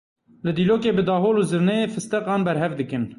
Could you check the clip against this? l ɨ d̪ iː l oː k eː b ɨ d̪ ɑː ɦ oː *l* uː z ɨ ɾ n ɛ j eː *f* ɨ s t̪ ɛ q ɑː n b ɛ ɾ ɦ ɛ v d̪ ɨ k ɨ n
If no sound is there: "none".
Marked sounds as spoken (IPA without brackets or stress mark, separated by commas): l, f